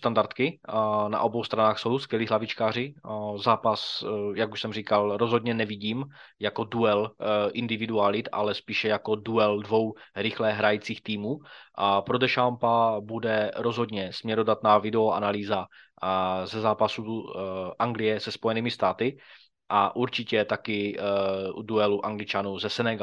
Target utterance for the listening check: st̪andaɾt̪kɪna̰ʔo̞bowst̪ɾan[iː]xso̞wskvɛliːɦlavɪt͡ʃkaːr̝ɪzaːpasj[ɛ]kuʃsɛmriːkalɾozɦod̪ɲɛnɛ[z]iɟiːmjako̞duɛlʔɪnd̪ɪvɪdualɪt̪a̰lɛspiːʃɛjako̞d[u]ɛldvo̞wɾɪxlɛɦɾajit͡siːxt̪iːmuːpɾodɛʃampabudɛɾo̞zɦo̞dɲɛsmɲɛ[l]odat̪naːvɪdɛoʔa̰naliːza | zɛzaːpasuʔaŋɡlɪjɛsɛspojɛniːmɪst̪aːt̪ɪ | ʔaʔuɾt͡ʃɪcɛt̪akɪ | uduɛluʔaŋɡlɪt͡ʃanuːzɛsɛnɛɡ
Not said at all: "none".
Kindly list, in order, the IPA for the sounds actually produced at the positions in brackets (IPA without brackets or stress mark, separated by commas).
aː, a, v, u, ɾ